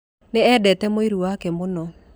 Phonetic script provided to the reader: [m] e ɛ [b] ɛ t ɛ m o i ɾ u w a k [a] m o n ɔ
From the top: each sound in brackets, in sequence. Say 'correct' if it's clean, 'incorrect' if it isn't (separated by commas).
incorrect, incorrect, incorrect